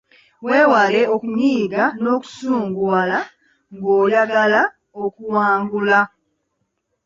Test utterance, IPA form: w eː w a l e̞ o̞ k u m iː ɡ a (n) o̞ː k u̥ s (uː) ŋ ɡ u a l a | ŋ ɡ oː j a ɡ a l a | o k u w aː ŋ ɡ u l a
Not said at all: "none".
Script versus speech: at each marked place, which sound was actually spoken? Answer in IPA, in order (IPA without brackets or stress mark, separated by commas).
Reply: n, uː